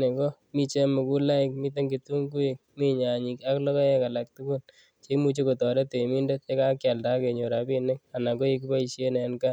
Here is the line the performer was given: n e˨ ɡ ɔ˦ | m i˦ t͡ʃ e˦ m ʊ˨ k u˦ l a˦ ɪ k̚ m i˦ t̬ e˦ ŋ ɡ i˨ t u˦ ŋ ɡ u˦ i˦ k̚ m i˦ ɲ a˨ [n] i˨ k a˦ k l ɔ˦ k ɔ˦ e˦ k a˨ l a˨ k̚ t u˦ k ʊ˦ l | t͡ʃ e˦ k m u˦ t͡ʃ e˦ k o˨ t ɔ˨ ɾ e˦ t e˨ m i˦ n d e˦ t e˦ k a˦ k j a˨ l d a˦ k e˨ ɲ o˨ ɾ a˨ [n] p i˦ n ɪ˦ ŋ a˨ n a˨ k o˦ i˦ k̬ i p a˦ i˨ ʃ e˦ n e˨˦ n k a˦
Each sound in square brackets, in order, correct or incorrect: incorrect: ɲ, incorrect: none

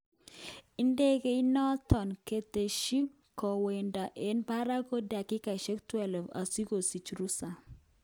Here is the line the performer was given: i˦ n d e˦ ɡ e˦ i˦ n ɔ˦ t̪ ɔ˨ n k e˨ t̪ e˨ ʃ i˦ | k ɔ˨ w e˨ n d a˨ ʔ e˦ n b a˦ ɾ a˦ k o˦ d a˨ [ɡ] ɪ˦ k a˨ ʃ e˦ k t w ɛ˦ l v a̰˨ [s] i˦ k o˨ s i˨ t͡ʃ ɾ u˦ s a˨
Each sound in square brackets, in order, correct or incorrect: incorrect: k, correct

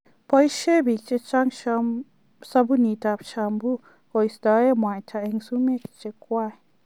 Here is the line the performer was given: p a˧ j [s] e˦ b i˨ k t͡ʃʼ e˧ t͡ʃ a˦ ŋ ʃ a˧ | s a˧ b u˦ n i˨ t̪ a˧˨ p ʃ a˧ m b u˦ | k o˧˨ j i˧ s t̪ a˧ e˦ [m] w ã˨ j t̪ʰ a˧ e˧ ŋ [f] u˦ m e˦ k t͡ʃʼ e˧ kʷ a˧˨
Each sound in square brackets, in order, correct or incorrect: incorrect: ʃ, correct, incorrect: s

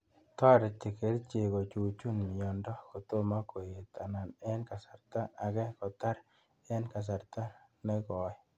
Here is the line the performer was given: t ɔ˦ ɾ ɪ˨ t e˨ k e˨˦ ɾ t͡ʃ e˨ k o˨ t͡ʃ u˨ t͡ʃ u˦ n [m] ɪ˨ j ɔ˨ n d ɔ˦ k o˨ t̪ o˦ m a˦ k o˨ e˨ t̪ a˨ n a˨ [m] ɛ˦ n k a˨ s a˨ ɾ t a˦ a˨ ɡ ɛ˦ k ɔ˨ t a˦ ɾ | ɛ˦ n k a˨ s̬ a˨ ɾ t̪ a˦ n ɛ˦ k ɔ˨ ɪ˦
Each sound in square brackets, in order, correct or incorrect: correct, incorrect: n

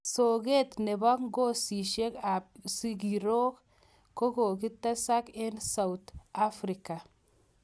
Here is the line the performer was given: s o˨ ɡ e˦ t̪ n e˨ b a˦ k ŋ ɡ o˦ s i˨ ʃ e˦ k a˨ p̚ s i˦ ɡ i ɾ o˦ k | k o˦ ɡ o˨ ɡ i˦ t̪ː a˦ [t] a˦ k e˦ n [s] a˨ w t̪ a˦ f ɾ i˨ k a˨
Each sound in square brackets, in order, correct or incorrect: incorrect: s, correct

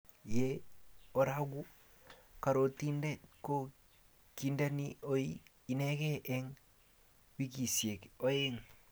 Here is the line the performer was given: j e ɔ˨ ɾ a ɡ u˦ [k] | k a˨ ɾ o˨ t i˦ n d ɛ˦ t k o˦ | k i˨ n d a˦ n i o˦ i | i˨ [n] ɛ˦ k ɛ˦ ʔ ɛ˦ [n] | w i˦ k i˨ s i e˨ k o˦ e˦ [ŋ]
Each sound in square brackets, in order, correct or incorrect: incorrect: none, correct, incorrect: ŋ, correct

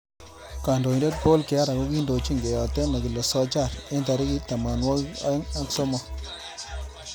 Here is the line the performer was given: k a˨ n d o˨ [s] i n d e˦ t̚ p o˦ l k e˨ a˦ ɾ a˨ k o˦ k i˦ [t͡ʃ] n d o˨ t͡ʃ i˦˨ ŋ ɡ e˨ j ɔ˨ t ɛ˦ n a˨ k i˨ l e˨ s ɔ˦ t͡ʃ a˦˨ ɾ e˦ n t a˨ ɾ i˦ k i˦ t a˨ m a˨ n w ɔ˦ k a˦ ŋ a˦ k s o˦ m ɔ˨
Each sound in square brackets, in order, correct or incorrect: incorrect: none, incorrect: none

